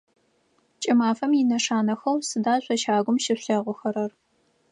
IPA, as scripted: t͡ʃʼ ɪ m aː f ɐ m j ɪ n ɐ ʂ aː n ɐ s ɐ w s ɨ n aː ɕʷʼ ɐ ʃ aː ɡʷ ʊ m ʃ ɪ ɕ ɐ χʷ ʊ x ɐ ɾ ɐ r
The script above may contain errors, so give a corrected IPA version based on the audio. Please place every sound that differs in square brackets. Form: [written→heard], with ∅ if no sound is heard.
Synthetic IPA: t͡ʃʼ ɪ m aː f ɐ m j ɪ n ɐ ʂ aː n ɐ [s→x] ɐ w s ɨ [n→d] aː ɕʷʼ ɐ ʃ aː ɡʷ ʊ m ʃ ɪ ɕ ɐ [χʷ→ʁʷ] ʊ x ɐ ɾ ɐ r